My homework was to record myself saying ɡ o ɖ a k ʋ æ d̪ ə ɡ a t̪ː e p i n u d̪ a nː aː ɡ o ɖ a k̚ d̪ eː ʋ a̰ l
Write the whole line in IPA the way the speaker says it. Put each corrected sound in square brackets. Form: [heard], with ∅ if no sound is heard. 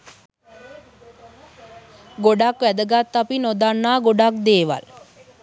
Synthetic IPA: ɡ o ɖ a k ʋ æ d̪ ə ɡ a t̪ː [a] p i n [o] d̪ a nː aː ɡ o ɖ a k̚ d̪ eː ʋ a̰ l